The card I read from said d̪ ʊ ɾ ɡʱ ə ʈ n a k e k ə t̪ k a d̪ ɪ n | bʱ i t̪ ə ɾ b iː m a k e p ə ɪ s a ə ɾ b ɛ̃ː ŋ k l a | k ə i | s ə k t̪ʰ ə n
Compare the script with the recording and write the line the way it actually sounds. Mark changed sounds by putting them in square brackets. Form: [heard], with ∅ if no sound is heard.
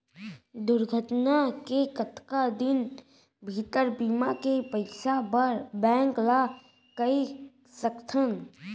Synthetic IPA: d̪ ʊ ɾ ɡʱ ə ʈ n a k e k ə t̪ k a d̪ ɪ n | bʱ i t̪ ə ɾ b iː m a k e p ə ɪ s a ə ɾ b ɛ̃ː ŋ k l a | k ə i | s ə k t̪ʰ ə n